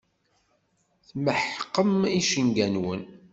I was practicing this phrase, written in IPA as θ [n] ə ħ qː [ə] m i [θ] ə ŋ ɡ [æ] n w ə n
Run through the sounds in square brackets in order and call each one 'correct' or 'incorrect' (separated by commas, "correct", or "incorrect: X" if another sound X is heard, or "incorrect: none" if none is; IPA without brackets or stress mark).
incorrect: m, correct, incorrect: ʃ, correct